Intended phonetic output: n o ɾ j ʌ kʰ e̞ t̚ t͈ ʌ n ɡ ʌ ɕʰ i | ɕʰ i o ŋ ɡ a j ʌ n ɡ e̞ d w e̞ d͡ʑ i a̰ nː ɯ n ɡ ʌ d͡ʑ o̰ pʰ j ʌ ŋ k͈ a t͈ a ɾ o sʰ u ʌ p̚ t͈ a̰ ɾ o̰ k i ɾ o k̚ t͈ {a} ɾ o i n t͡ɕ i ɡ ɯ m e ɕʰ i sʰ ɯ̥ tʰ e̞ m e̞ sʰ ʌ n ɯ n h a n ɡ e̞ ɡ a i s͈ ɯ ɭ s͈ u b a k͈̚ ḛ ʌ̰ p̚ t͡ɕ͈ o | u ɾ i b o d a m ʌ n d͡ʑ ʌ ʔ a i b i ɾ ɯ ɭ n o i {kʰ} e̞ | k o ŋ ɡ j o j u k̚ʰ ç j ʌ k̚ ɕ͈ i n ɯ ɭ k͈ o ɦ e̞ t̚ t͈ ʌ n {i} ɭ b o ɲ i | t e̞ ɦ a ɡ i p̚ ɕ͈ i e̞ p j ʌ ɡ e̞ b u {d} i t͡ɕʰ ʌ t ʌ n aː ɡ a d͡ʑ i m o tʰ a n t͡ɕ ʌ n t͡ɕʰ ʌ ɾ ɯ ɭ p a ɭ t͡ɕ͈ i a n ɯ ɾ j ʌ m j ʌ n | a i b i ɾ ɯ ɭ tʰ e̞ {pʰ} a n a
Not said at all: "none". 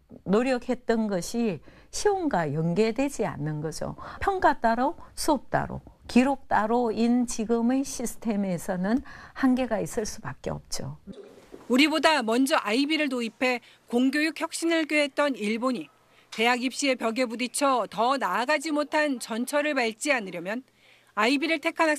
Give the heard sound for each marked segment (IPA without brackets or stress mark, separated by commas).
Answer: a, pʰ, i, d, kʰ